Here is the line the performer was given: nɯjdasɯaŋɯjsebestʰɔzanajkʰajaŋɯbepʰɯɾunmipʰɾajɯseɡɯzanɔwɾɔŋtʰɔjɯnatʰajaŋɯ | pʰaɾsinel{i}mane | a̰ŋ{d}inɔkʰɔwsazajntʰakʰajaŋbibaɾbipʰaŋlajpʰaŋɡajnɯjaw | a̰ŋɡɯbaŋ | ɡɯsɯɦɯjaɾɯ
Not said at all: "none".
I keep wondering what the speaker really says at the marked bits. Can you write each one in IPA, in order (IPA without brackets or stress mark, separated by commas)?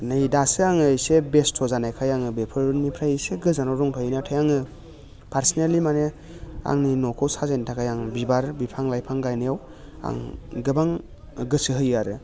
i, n